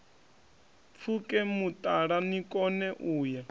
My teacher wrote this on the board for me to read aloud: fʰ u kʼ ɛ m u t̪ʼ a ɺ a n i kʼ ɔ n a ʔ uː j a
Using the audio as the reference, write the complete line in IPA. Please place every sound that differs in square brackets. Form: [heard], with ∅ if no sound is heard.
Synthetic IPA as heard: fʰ u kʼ ɛ m u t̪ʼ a ɺ a n i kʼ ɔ n [ɛ] ʔ uː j a